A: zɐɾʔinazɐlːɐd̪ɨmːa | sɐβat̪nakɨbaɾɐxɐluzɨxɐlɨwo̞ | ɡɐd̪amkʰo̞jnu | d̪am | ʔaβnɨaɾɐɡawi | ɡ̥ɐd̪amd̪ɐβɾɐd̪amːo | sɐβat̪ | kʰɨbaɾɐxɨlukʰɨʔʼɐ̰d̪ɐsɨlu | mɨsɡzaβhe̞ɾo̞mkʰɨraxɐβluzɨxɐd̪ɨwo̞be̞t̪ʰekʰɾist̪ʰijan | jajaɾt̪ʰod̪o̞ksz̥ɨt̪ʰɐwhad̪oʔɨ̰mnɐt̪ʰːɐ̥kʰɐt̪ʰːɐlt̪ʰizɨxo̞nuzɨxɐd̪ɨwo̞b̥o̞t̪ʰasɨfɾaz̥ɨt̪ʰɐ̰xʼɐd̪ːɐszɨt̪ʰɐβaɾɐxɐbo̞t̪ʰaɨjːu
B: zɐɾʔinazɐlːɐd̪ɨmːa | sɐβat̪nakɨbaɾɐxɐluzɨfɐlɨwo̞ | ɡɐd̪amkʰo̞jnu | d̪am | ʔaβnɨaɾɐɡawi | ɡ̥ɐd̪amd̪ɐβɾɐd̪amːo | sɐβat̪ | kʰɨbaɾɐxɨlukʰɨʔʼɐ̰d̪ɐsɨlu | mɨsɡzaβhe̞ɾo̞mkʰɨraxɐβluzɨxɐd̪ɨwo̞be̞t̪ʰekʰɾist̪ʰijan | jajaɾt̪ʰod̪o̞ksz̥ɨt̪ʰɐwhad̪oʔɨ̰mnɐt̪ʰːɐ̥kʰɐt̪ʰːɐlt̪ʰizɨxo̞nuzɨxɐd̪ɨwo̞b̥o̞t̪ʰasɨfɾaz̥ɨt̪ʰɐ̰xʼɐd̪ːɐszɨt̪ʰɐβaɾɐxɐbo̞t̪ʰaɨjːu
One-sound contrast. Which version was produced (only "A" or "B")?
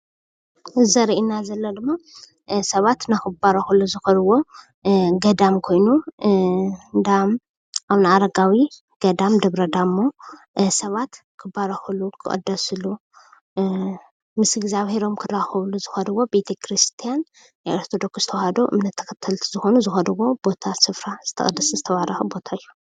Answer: A